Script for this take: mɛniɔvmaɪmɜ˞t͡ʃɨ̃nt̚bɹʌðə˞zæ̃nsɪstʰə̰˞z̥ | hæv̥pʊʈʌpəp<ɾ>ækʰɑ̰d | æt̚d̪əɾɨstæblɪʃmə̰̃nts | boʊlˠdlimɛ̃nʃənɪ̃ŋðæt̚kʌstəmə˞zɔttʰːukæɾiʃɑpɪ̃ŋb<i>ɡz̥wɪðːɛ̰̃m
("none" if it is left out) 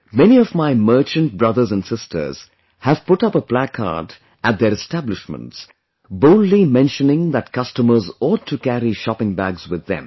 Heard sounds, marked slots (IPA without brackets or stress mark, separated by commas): l, æ